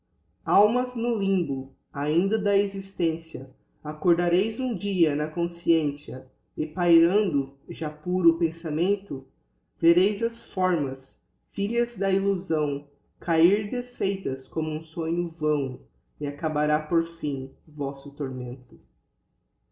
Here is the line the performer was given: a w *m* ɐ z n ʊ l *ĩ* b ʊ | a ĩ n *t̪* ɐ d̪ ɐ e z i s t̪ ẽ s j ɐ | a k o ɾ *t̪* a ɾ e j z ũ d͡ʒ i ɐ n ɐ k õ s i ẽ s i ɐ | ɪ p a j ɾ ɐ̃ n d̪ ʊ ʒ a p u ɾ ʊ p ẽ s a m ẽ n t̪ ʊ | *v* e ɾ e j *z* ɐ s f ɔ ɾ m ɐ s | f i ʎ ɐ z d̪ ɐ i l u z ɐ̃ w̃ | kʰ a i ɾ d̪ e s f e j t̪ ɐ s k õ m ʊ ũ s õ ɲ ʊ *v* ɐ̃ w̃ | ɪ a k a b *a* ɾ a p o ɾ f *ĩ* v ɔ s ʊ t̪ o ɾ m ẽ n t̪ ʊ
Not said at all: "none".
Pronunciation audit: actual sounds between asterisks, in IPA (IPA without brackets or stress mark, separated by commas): m, ĩ, d̪, d̪, v, z, v, a, ĩ